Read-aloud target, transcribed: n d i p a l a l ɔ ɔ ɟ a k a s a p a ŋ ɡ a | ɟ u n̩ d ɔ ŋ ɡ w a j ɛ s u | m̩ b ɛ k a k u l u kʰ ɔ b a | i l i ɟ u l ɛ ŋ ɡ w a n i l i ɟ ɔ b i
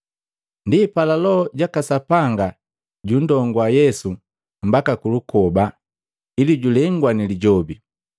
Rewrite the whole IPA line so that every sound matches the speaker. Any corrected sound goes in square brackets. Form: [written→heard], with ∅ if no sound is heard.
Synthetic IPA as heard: n d i p a l a l ɔ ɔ ɟ a k a s a p a ŋ ɡ a | ɟ u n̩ d ɔ ŋ ɡ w a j ɛ s u | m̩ b [ɛ→a] k a k u l u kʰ ɔ b a | i l i ɟ u l ɛ ŋ ɡ w a n i l i ɟ ɔ b i

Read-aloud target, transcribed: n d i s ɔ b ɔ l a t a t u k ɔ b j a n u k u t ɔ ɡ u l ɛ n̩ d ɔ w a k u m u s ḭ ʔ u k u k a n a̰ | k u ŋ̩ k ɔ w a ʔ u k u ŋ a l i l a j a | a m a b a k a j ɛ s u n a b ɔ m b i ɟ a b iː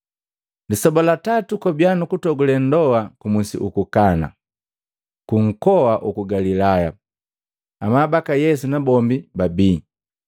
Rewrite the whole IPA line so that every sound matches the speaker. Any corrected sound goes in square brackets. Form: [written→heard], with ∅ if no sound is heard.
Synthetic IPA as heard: n d i s ɔ b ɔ l a t a t u k ɔ b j a n u k u t ɔ ɡ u l ɛ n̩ d ɔ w a k u m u s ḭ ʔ u k u k a n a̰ | k u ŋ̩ k ɔ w a ʔ u k u [ŋ→ɡ] a l i l a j a | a m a b a k a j ɛ s u n a b ɔ m b i [ɟ→b] a b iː

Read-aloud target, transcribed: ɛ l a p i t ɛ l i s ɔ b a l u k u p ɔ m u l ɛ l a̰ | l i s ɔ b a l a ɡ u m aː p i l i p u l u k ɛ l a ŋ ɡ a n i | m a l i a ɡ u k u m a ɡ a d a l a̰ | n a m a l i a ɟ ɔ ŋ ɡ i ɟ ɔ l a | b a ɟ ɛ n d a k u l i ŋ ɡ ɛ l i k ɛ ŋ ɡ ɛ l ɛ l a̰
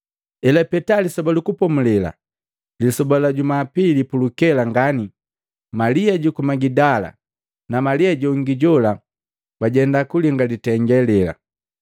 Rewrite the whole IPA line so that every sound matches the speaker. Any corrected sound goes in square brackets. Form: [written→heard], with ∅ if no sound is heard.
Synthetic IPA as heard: ɛ l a p [i→ɛ] t [ɛ→a] l i s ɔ b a l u k u p ɔ m u l ɛ l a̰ | l i s ɔ b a l a [ɡ→ɟ] u m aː p i l i p u l u k ɛ l a ŋ ɡ a n i | m a l i a [ɡ→ɟ] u k u m a ɡ [a→i] d a l a̰ | n a m a l i a ɟ ɔ ŋ ɡ i ɟ ɔ l a | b a ɟ ɛ n d a k u l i ŋ ɡ [ɛ→a] l i [k→t] ɛ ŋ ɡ ɛ l ɛ l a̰

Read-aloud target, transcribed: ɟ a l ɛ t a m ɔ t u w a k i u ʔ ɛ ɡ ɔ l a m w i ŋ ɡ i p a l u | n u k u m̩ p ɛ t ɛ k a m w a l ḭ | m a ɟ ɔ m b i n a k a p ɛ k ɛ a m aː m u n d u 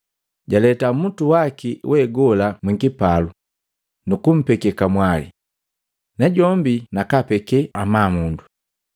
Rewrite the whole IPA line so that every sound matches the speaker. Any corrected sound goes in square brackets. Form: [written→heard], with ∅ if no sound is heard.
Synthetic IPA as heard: ɟ a l ɛ t a m [ɔ→u] t u w a k i [u→w] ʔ ɛ ɡ ɔ l a m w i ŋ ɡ i p a l u | n u k u m̩ p ɛ [t→k] ɛ k a m w a l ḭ | [m→n] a ɟ ɔ m b i n a k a p ɛ k ɛ a m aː m u n d u

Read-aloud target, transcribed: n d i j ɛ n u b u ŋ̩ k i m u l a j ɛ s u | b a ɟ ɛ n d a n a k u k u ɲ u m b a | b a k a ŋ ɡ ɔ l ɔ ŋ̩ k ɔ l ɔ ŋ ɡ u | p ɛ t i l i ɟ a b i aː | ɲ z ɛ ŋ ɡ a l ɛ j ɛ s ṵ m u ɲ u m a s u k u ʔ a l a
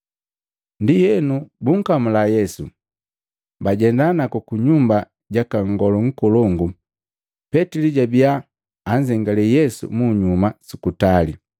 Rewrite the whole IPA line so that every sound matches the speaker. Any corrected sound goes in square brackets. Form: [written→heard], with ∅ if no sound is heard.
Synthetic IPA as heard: n d i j ɛ n u b u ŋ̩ k [i→a] m u l a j ɛ s u | b a ɟ ɛ n d a n a k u k u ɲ u m b a | [b→ɟ] a k a ŋ ɡ ɔ l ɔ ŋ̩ k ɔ l ɔ ŋ ɡ u | p ɛ t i l i ɟ a b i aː | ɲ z ɛ ŋ ɡ a l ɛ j ɛ s ṵ m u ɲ u m a s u k u [ʔ→t] a l [a→i]

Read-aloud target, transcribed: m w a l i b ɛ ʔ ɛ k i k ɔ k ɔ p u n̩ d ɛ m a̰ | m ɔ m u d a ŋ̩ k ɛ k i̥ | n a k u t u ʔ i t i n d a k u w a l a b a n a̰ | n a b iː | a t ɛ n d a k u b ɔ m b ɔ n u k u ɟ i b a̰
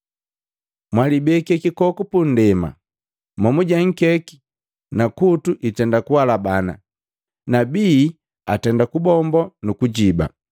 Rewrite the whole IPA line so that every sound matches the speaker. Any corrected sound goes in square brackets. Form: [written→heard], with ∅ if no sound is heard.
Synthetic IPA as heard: m w a l i b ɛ [ʔ→k] ɛ k i k ɔ k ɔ p u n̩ d ɛ m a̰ | m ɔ m u [d→ɟ] a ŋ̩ k ɛ k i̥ | n a k u t u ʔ i t [i→ɛ] n d a k u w a l a b a n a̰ | n a b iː | a t ɛ n d a k u b ɔ m b ɔ n u k u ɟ i b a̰

